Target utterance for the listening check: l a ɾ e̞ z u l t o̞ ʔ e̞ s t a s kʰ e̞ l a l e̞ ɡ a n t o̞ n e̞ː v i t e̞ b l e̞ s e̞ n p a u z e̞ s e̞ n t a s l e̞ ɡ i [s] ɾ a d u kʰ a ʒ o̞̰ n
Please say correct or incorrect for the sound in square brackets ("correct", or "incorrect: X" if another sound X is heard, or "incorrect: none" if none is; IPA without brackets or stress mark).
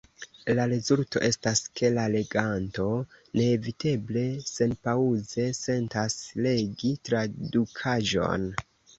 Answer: incorrect: t